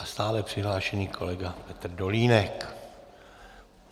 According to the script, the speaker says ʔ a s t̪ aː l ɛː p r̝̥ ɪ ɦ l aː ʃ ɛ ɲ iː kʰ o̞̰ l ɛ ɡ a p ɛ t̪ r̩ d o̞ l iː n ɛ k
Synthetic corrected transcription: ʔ a s t̪ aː l ɛ p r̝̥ ɪ ɦ l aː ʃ ɛ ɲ iː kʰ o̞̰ l ɛ ɡ a p ɛ t̪ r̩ d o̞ l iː n ɛ k